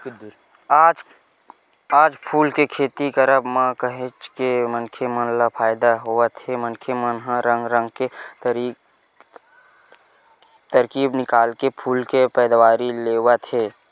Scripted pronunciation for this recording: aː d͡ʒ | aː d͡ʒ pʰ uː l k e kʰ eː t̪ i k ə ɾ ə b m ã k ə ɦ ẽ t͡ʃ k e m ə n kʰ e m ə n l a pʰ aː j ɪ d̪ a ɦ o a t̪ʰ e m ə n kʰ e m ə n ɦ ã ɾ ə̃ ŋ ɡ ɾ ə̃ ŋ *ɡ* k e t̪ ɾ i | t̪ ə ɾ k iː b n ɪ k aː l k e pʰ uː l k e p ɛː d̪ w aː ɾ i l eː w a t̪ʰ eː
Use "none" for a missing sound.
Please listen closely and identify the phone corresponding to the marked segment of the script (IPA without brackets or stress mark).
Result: ɡ